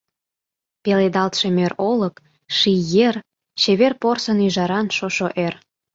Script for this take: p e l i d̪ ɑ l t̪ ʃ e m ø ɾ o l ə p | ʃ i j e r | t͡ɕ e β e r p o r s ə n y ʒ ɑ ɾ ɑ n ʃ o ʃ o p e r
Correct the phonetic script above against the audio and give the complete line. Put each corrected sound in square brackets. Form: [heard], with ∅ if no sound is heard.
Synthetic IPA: p e l [e] d̪ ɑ l t̪ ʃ e m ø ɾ o l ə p | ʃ i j e r | t͡ɕ e β e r p o r s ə n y ʒ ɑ ɾ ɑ n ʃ o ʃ o [ʔ] e r

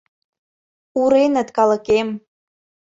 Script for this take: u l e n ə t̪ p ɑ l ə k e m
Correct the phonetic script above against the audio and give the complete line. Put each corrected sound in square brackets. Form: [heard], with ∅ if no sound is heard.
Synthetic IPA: u [ɾ] e n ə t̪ [k] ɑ l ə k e m

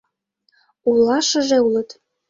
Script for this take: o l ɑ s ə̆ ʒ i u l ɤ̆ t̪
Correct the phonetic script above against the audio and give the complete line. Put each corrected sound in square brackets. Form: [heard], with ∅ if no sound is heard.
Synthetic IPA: [u] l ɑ [ʃ] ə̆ ʒ [e] u l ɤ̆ t̪

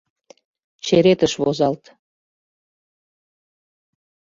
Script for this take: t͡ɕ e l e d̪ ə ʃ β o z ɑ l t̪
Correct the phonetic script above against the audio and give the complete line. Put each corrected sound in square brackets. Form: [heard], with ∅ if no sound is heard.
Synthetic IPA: t͡ɕ e [ɾ] e [t̪] ə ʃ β o z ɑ l t̪

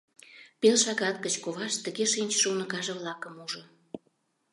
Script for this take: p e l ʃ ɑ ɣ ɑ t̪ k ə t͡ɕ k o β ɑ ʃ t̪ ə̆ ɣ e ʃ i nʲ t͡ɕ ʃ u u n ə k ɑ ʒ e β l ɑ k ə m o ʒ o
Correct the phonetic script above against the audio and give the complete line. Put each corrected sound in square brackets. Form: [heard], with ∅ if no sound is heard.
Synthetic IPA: p e l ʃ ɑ ɣ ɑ t̪ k ə t͡ɕ k o β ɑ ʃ t̪ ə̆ ɣ e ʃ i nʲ t͡ɕ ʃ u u n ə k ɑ ʒ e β l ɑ k ə m [u] ʒ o

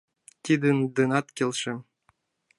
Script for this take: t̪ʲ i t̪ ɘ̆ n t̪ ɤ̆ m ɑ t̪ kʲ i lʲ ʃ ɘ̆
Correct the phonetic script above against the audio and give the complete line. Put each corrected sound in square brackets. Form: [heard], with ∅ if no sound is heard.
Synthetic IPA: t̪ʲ i [d̪] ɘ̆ n [d̪] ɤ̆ [n] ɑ t̪ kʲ [e] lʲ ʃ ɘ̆

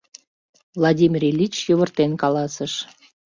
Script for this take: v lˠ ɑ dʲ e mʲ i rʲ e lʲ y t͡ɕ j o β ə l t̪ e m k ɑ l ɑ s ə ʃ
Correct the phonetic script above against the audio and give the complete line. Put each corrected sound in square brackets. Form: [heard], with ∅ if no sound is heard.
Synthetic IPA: v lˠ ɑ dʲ [i] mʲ i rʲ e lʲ [i] t͡ɕ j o β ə [r] t̪ e [n] k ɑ l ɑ s ə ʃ

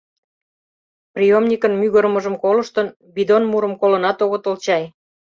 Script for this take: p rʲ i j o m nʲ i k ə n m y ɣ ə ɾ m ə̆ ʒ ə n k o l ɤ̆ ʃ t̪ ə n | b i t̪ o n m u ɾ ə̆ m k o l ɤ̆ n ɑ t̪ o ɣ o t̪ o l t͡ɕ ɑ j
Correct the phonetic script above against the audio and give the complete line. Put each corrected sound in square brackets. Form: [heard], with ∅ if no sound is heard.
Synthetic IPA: p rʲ i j o m nʲ i k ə n m y ɣ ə ɾ m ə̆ ʒ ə [m] k o l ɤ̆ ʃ t̪ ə n | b i [d̪] o n m u ɾ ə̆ m k o l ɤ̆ n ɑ t̪ o ɣ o t̪ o l t͡ɕ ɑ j

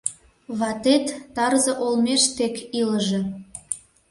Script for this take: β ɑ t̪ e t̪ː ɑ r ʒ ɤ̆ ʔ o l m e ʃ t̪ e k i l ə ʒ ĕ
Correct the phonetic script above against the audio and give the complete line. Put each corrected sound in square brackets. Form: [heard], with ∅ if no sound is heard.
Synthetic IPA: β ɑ t̪ e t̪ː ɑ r [z] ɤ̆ ʔ o l m e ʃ t̪ e k i l ə ʒ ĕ

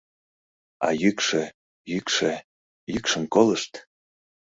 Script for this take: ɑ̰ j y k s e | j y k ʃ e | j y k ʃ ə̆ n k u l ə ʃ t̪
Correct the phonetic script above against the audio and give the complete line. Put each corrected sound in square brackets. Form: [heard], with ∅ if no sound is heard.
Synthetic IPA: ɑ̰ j y k [ʃ] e | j y k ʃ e | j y k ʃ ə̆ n k [o] l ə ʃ t̪

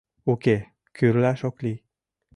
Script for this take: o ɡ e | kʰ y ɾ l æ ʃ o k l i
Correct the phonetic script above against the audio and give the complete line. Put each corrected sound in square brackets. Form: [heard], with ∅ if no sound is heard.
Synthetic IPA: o [k] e | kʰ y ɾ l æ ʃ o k l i

